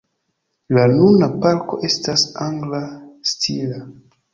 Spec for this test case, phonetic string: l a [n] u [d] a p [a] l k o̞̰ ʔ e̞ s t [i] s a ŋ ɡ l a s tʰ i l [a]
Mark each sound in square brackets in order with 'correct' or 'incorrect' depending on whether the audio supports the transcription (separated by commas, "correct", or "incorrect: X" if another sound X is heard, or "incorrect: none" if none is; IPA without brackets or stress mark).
correct, incorrect: n, correct, incorrect: a, correct